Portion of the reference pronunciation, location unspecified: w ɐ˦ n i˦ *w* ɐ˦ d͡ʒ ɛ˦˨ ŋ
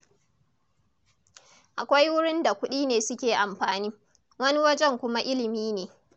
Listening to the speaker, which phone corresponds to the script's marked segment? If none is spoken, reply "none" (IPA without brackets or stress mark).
w